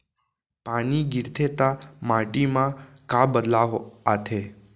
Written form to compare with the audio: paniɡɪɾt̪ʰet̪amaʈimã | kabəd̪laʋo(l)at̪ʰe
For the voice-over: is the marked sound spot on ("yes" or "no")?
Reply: no